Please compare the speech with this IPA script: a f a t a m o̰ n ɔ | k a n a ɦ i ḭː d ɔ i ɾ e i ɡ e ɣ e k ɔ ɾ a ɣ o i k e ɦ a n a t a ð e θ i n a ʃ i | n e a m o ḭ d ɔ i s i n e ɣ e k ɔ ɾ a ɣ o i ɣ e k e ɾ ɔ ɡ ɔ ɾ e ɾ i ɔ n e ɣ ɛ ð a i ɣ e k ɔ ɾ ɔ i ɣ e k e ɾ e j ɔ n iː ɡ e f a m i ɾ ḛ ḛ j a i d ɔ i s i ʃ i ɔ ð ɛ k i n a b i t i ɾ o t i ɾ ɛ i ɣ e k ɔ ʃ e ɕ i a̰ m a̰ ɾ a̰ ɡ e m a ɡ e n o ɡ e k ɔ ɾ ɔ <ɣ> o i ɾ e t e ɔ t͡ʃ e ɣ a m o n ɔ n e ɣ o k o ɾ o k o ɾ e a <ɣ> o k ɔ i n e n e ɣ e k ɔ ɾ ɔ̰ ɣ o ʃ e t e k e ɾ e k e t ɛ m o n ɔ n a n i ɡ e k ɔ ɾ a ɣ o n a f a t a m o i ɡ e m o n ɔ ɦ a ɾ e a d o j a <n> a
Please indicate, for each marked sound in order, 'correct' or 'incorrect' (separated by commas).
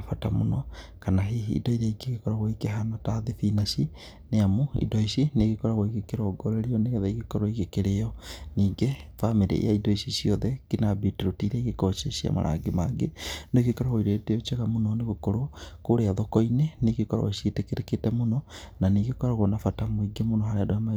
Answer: correct, incorrect, incorrect